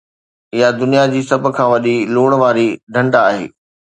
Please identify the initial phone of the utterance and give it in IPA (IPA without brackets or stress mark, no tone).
ɪ